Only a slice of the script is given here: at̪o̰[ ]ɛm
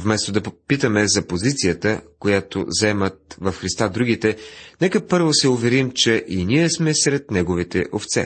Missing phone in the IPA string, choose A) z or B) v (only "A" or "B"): A